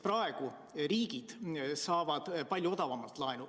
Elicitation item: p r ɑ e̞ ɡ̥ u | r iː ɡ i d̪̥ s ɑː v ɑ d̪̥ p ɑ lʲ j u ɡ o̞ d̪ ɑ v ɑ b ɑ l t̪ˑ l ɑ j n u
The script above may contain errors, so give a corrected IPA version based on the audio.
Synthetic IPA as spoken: p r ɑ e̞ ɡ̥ u | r iː ɡ i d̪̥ s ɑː v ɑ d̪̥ p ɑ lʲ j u o̞ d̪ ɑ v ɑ m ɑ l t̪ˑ l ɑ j n u